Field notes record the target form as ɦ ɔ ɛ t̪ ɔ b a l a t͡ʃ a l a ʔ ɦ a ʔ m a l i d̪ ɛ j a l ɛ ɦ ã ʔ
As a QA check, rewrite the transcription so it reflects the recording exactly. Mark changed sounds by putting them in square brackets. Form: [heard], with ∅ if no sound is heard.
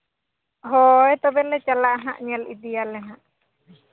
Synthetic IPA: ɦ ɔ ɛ t̪ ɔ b [ɛ] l [ɛ] t͡ʃ a l a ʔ ɦ a ʔ [ɲ] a l i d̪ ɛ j a l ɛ ɦ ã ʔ

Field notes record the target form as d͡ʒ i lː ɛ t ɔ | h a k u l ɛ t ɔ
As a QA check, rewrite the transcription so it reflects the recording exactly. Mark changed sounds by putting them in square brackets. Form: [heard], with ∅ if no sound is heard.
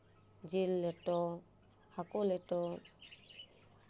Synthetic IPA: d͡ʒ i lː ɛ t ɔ | h a k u l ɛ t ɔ

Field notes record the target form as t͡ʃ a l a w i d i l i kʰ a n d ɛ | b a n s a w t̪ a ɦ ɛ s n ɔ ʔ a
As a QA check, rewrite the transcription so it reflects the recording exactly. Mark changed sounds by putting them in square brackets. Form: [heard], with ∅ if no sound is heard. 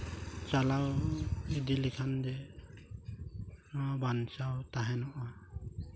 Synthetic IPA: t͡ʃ a l a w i d i l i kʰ a n d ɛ | b a n s a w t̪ a ɦ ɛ [∅] n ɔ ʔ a

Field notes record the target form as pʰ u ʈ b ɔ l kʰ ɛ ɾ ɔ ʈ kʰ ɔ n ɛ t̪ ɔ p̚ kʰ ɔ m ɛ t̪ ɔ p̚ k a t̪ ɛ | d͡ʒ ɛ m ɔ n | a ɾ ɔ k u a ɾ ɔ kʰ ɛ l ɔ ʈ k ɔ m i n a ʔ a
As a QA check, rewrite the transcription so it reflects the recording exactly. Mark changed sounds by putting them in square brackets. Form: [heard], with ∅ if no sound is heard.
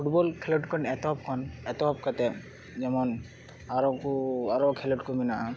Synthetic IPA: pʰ u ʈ b ɔ l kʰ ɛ [l] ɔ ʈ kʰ ɔ n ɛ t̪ ɔ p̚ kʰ ɔ [n] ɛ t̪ ɔ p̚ k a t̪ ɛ | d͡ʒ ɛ m ɔ n | a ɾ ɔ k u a ɾ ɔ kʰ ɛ l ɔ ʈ k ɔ m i n a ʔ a

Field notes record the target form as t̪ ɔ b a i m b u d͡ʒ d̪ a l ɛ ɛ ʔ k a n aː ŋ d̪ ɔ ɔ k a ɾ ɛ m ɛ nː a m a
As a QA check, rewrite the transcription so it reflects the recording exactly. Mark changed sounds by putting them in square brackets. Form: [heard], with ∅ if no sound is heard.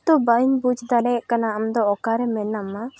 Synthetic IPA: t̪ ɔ b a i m b u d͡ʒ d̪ a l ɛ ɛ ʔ k a n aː [m] d̪ ɔ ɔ k a ɾ ɛ m ɛ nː a m a

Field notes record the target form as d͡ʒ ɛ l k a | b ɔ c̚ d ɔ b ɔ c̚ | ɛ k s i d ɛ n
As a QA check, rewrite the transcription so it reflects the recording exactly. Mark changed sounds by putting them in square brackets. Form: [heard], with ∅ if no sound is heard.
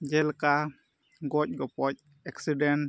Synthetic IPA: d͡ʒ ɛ l k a | [ɡ] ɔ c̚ [ɡ] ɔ [p] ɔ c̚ | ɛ k s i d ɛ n

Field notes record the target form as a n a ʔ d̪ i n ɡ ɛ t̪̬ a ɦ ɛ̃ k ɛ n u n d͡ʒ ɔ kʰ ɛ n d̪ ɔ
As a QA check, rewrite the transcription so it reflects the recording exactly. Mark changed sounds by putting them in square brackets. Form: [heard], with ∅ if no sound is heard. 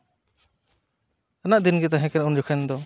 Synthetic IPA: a n a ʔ d̪ i n ɡ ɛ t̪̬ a ɦ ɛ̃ k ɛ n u n d͡ʒ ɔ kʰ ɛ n d̪ ɔ

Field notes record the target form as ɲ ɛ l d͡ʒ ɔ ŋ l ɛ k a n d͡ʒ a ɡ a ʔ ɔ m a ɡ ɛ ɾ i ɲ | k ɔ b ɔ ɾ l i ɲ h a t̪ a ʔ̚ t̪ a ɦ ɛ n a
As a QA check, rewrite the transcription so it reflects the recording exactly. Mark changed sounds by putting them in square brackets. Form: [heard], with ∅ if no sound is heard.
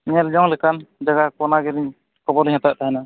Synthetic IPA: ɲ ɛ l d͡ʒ ɔ ŋ l ɛ k a n d͡ʒ a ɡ a [k] ɔ [n] a ɡ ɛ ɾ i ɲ | k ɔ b ɔ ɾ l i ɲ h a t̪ a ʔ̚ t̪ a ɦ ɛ n a

